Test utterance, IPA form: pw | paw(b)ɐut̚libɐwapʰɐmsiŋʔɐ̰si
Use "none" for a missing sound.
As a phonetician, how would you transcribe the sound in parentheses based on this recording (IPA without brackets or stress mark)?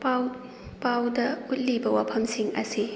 d